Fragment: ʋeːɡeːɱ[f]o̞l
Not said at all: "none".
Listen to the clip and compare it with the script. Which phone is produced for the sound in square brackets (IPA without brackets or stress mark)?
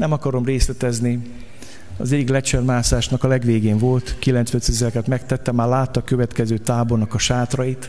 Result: v